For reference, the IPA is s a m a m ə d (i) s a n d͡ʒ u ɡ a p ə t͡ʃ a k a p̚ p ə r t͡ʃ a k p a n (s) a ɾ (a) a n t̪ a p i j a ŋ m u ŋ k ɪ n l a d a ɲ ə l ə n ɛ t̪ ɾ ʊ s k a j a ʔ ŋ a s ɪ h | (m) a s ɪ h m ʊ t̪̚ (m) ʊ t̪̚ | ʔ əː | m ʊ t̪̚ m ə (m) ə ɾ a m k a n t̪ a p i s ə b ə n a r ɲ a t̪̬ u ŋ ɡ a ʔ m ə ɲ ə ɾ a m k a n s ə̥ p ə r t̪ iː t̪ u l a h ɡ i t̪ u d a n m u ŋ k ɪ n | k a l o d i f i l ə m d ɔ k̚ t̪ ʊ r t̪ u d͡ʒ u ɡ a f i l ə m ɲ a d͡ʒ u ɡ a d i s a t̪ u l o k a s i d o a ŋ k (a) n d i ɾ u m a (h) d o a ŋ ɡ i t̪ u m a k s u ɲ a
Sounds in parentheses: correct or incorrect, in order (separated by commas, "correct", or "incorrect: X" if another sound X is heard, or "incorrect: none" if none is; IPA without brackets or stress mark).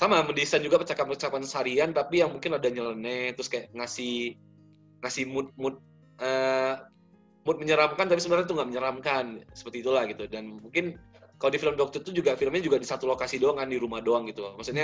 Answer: correct, correct, incorrect: i, incorrect: ŋ, correct, incorrect: ɲ, correct, correct